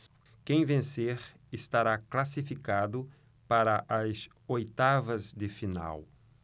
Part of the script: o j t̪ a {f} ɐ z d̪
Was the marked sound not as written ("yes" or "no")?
yes